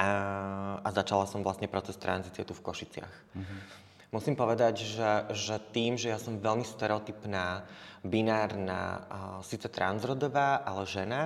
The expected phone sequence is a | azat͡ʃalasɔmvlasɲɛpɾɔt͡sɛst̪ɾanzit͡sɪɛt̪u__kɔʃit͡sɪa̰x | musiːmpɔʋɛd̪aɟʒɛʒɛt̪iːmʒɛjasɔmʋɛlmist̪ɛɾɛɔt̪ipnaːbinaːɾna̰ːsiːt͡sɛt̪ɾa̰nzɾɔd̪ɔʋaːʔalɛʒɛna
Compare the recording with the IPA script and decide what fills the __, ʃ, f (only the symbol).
f